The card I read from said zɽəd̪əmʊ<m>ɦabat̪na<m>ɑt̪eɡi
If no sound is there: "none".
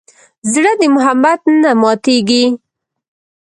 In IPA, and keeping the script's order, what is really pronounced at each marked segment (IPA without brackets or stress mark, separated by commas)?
none, m